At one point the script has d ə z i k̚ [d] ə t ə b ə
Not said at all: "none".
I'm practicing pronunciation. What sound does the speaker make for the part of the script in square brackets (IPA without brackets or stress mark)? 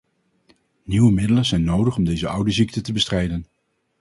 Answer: t